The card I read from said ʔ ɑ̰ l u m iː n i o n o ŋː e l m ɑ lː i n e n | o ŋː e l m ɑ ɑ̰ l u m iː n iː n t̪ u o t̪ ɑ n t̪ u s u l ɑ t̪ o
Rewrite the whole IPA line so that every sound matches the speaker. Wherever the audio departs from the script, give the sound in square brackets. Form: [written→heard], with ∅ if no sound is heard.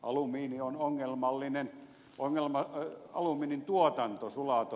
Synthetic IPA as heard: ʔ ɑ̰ l u m iː n i o n o ŋː e l m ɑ lː i n e n | o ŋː e l m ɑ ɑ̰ l u m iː n [iː→i] n t̪ u o t̪ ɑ n t̪ [u→o] s u l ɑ t̪ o

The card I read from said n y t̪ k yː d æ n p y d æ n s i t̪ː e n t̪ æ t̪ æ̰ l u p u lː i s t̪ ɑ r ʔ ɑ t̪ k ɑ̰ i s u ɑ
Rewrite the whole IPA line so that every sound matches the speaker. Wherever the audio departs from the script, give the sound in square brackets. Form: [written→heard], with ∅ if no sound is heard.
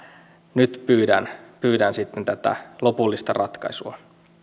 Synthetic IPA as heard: n y t̪ [k→p] yː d æ n p [y→yː] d æ n s i t̪ː e n t̪ æ t̪ æ̰ l [u→o] p u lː i s t̪ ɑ r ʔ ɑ t̪ k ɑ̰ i s u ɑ

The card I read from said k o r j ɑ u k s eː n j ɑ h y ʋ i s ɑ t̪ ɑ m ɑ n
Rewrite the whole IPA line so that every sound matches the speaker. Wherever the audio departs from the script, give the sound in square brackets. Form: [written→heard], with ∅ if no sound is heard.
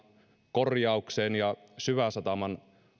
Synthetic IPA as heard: k o r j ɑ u k s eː n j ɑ [h→s] y ʋ [i→æ] s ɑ t̪ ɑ m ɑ n

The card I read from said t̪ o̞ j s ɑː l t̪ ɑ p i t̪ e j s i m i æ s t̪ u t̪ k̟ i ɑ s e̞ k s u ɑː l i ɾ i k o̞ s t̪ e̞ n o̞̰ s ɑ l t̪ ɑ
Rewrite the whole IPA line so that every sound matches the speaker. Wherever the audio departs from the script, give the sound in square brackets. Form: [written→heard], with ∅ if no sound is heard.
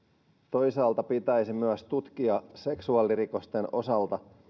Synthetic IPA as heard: t̪ o̞ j s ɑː l t̪ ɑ p i t̪ [e→æ] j s i m [i→y] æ s t̪ u t̪ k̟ i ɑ s e̞ k s u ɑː l i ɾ i k o̞ s t̪ e̞ n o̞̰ s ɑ l t̪ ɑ

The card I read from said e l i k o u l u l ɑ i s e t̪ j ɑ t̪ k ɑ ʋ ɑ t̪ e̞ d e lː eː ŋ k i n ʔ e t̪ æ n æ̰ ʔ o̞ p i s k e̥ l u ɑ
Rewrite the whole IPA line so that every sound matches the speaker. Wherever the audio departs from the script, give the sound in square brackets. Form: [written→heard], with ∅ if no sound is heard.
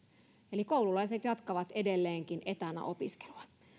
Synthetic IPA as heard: e l i k o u l u l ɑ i s e t̪ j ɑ t̪ k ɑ ʋ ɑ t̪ e̞ d e lː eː ŋ k i n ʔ e t̪ æ n æ̰ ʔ o̞ p i s k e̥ l u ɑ

